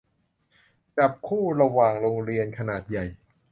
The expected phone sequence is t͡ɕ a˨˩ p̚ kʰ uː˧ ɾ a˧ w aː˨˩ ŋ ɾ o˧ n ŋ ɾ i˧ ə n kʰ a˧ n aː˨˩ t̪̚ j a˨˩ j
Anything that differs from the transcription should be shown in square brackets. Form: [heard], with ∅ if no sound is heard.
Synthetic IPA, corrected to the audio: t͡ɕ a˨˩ p̚ kʰ [uː˥˩] ɾ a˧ w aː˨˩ ŋ ɾ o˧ [∅] ŋ ɾ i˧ ə n kʰ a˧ n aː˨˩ t̪̚ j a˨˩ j